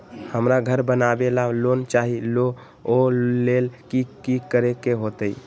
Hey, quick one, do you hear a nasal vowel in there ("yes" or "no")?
no